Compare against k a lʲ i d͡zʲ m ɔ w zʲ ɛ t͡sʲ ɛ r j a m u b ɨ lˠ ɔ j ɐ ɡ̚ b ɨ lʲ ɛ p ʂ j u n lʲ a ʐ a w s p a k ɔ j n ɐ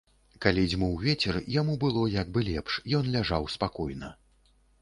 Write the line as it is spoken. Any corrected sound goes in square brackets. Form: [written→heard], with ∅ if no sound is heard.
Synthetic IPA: k a lʲ i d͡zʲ m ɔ w [zʲ→vʲ] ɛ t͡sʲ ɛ r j a m u b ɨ lˠ ɔ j [ɐ→a] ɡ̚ b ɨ lʲ ɛ p ʂ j [u→ɔ] n lʲ a ʐ a w s p a k ɔ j n ɐ